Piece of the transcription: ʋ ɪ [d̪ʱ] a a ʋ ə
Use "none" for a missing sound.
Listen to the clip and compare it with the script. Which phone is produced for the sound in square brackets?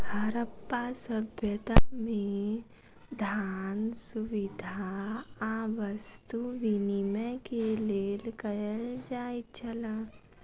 d̪ʱ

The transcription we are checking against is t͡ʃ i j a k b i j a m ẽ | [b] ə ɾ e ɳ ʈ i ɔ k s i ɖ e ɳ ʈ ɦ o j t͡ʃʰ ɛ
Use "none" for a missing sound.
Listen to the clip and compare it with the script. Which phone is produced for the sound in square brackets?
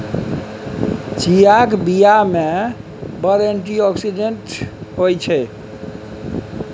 b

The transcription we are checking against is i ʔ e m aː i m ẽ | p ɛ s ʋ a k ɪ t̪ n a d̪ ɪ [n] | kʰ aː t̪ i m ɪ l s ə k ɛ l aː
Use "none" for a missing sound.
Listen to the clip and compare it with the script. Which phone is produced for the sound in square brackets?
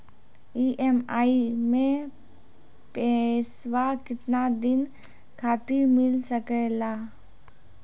n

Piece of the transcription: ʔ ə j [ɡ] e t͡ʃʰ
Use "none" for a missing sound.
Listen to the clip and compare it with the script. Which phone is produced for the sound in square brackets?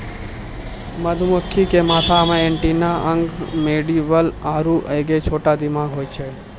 ɡ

